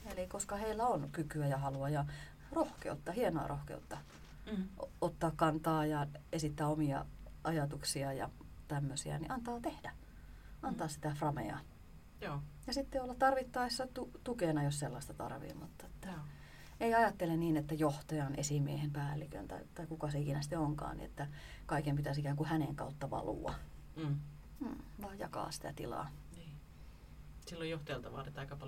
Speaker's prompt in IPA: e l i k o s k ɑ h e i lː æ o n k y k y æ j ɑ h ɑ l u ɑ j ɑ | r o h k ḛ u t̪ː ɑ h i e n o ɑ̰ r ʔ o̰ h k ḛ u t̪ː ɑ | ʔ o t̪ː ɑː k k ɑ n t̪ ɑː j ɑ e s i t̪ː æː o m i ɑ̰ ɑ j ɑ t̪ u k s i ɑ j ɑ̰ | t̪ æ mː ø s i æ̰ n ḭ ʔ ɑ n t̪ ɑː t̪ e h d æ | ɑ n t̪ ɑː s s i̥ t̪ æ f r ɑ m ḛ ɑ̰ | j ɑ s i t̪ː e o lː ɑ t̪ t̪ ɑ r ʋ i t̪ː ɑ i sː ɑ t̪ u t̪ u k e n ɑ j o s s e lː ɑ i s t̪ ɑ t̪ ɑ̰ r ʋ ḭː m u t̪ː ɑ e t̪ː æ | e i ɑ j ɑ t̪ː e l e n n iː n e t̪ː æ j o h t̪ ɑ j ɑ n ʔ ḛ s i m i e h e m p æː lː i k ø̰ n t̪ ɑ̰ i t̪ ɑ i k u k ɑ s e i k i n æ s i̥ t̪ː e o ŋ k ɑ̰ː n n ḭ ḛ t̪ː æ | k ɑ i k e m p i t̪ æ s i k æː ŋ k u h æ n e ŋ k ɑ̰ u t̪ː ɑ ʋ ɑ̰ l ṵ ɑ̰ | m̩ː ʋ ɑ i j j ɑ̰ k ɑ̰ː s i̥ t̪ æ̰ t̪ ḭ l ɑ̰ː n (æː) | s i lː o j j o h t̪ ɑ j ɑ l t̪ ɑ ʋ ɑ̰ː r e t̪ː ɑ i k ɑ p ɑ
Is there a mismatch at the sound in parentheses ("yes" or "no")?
yes